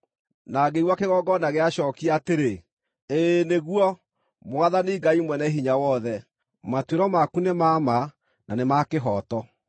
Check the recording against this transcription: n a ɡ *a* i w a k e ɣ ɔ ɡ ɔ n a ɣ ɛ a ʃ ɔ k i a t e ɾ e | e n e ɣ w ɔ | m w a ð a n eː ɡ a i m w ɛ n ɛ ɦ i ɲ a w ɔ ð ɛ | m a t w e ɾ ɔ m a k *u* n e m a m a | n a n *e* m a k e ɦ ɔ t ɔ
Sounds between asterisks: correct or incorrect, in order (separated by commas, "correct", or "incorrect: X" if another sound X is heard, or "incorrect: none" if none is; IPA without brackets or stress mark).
incorrect: e, correct, correct